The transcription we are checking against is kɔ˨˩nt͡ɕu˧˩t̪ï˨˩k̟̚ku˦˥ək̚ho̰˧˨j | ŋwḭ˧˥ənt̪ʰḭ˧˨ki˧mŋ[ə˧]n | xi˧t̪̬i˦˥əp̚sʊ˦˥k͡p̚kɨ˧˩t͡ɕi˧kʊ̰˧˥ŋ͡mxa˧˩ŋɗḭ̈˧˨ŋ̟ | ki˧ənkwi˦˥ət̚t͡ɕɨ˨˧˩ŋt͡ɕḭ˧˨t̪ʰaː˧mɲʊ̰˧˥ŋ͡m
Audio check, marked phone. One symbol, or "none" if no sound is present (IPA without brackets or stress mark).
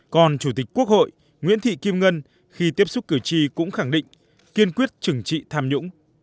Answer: ə˧